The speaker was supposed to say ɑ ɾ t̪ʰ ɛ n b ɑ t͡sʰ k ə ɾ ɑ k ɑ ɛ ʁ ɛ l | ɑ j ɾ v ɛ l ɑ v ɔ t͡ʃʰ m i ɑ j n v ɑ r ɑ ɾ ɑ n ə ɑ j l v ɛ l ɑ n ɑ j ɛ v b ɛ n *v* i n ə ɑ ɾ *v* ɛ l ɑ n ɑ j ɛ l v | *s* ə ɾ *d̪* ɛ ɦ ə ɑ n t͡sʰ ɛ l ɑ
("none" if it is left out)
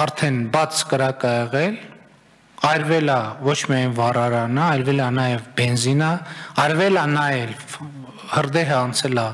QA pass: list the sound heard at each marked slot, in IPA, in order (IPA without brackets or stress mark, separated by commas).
z, v, h, d̪